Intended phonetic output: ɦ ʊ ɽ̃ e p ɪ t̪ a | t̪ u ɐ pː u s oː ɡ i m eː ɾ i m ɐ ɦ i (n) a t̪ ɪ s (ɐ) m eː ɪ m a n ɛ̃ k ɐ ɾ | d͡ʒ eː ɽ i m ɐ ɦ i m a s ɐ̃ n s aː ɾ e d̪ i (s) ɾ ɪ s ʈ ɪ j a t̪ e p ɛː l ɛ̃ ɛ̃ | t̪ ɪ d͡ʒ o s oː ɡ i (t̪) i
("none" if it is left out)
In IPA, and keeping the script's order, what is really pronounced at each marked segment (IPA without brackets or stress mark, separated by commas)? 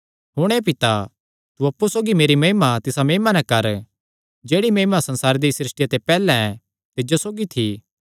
m, a, s, t̪ʰ